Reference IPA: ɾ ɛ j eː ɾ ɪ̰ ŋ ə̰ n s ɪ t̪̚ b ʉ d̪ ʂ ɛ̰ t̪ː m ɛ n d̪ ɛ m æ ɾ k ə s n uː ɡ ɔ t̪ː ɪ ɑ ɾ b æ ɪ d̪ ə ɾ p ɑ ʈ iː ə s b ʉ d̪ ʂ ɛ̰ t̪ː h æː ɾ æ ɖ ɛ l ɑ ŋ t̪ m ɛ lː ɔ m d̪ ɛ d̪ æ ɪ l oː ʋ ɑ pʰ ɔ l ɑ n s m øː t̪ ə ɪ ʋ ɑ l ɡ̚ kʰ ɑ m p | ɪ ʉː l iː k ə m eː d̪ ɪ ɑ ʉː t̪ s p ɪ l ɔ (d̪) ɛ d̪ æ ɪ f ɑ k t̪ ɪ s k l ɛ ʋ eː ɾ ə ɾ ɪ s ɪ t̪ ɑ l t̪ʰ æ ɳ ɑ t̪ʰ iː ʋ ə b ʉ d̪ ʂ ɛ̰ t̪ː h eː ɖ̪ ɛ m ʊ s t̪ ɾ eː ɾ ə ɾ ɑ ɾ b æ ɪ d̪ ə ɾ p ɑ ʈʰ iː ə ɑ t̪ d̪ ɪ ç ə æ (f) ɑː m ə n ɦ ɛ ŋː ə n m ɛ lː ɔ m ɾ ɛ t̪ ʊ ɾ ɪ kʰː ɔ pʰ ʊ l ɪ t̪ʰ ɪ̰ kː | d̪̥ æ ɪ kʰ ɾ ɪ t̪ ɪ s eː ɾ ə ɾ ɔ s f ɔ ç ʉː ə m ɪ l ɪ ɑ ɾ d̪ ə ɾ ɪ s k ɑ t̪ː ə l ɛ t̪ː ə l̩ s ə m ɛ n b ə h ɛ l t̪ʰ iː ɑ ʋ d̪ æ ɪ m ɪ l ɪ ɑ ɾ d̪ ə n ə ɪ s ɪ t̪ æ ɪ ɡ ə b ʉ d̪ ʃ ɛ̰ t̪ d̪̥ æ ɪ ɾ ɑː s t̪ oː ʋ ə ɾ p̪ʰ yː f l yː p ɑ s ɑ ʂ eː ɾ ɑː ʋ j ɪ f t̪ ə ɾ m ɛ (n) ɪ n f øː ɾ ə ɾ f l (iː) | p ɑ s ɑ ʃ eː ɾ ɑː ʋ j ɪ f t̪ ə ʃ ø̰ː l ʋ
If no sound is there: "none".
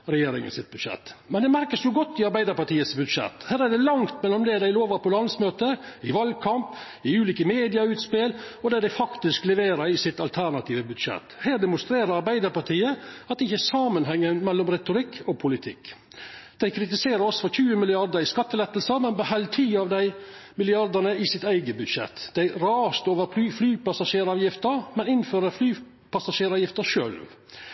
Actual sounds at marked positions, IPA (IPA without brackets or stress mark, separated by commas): d̪, s, n, yː